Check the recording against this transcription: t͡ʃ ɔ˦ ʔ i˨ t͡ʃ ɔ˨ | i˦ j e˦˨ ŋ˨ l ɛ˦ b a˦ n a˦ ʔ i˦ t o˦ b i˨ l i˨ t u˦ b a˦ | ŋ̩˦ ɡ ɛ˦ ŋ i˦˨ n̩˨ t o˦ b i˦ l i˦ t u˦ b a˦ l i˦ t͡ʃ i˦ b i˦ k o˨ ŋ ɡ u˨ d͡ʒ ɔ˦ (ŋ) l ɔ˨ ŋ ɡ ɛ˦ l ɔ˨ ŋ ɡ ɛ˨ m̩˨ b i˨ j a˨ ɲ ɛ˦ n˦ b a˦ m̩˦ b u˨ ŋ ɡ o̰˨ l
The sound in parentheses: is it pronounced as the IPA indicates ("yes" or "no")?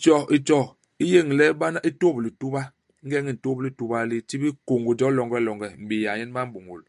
no